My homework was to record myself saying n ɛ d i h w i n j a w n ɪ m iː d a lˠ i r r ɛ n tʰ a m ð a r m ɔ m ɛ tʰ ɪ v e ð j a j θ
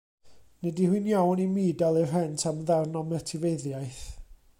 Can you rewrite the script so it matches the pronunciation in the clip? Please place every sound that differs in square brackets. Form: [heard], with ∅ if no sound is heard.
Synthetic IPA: n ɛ d i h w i n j a w n [i] m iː d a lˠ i r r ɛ n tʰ a m ð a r [n] ɔ m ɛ tʰ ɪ v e ð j a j θ